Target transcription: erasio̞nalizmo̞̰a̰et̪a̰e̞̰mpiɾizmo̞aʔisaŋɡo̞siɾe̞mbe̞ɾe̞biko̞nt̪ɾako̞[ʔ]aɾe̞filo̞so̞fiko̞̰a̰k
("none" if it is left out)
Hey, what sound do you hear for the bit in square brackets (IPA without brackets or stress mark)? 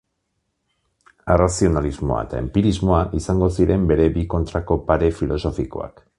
p